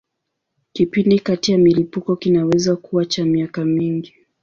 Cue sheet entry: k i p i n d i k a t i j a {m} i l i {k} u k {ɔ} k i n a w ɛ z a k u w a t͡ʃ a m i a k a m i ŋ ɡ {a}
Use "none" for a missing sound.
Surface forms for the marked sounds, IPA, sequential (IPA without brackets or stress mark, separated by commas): m, p, ɔ, i